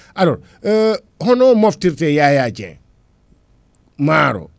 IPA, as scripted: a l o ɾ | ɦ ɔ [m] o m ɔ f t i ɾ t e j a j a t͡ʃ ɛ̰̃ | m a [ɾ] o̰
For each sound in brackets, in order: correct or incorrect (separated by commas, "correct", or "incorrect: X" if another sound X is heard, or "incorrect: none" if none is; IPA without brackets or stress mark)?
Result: incorrect: n, correct